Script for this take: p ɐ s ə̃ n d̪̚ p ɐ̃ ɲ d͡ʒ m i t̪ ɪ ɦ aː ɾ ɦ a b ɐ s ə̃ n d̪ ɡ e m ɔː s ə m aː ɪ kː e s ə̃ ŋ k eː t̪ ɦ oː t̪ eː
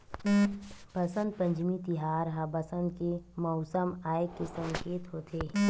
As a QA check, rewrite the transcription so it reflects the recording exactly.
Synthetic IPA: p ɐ s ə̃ n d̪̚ p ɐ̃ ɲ d͡ʒ m i t̪ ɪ ɦ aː ɾ ɦ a b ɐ s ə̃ n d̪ k e m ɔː s ə m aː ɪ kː e s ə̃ ŋ k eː t̪ ɦ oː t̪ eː